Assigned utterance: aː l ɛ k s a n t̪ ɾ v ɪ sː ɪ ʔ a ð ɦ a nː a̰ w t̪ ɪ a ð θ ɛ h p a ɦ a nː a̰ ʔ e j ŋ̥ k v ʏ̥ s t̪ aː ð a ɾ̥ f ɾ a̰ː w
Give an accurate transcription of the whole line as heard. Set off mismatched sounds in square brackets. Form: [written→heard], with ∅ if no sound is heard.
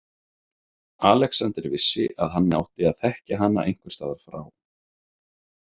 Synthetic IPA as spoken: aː l ɛ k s a n t̪ ɾ v ɪ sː ɪ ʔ a ð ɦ a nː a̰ w t̪ ɪ a ð θ ɛ h [p→c] a ɦ a nː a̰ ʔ e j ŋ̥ k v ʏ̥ s t̪ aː ð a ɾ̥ f ɾ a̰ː w